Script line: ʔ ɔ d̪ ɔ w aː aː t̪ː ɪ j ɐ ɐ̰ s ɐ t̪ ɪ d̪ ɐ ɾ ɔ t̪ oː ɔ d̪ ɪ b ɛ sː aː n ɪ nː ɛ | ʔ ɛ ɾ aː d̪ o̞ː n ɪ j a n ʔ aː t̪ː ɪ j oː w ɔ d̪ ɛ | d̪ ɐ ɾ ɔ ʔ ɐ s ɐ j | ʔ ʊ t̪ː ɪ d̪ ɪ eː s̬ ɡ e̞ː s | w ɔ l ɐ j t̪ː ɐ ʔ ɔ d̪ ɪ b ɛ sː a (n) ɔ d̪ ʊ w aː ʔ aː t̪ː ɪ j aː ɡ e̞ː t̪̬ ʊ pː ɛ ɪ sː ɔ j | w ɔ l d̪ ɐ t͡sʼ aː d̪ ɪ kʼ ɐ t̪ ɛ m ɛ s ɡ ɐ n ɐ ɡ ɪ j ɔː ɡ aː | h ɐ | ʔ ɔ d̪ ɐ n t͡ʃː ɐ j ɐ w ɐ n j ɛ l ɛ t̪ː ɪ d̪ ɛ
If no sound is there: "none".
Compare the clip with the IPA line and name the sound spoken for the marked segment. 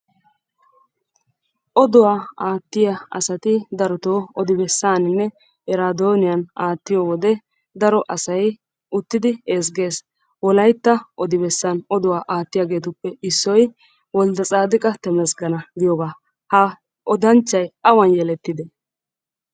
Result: n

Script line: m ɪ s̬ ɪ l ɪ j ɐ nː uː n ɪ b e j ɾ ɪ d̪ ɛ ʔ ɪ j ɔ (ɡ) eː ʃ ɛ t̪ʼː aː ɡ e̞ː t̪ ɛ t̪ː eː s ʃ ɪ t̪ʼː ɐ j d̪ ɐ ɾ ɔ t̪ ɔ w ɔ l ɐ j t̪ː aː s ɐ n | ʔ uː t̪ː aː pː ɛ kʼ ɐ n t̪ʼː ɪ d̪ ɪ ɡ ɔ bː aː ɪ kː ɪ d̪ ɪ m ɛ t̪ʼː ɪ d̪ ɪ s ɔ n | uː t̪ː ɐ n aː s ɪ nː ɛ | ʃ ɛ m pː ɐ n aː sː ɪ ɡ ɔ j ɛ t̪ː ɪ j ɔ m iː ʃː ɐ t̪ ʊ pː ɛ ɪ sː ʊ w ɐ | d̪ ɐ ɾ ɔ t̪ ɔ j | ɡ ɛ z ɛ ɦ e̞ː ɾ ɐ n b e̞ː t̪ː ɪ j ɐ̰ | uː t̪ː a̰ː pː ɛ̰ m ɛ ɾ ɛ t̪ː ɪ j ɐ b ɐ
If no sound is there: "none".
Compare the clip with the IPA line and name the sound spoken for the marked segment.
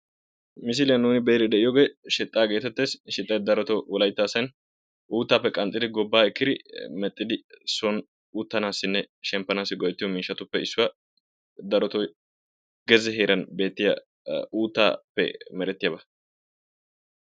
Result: ɡ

